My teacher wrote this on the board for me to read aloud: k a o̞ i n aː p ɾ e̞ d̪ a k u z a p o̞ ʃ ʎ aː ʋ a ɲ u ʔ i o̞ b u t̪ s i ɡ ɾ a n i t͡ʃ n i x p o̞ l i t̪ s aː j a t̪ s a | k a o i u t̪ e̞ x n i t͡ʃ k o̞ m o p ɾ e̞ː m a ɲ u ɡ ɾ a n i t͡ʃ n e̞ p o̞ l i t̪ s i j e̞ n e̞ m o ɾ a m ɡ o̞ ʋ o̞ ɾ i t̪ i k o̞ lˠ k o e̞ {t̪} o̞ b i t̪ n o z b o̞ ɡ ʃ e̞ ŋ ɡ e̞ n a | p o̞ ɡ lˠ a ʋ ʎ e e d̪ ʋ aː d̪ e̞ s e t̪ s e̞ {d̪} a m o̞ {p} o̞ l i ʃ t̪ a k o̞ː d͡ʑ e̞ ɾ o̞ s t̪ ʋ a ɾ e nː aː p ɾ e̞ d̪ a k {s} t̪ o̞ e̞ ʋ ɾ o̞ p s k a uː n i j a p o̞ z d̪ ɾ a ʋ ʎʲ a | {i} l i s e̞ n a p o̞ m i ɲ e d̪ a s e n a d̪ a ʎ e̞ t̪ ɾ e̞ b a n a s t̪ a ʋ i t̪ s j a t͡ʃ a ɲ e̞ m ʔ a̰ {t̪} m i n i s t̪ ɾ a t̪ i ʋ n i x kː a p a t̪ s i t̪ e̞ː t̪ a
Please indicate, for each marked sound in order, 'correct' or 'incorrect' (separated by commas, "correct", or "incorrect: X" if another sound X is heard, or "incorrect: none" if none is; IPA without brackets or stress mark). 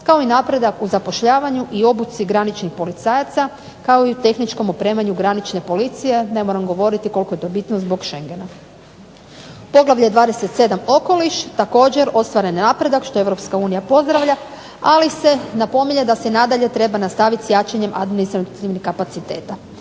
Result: correct, correct, incorrect: k, incorrect: ʃ, incorrect: a, incorrect: d̪